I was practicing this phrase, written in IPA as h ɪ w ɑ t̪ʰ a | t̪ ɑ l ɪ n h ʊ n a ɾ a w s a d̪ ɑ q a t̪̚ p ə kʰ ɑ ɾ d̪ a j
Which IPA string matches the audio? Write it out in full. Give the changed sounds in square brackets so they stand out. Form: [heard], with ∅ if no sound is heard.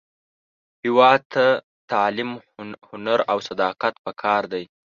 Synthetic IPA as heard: h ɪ w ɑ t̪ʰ a | t̪ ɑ l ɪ [m] h ʊ n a ɾ a w s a d̪ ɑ q a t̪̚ p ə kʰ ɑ ɾ d̪ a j